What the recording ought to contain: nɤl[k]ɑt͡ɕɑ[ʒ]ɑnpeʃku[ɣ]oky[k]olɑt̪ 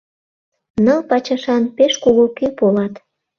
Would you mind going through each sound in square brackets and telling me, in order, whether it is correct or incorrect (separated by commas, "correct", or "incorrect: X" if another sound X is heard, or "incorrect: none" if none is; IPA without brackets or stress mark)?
incorrect: p, incorrect: ʃ, correct, incorrect: p